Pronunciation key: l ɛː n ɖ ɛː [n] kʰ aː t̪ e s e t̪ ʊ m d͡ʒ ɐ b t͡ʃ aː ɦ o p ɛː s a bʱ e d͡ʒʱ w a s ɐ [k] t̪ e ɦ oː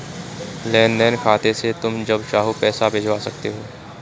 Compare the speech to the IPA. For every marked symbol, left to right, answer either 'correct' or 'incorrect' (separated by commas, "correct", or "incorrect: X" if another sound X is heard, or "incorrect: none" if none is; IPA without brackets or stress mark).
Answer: correct, correct